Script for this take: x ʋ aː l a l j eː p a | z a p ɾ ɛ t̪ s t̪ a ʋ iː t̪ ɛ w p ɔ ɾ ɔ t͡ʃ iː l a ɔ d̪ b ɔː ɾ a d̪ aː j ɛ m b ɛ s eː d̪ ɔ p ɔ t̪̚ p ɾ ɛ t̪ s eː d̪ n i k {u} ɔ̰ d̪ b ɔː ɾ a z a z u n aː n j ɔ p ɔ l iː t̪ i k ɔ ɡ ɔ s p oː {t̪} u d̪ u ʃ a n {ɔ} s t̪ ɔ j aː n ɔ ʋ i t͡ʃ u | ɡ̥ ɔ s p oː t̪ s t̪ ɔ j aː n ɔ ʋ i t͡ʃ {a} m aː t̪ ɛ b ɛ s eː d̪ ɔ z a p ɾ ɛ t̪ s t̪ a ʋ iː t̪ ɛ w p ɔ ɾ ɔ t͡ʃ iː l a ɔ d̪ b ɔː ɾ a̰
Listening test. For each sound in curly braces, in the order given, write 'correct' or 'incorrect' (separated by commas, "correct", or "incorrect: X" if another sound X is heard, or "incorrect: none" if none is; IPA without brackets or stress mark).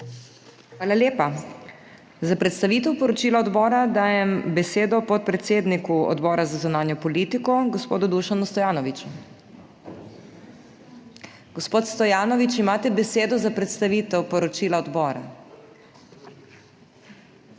correct, incorrect: d̪, incorrect: u, incorrect: i